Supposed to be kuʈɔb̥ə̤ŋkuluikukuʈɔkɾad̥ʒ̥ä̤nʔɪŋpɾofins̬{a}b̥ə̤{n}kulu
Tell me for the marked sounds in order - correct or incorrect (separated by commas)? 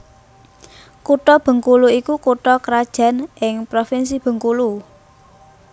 incorrect, incorrect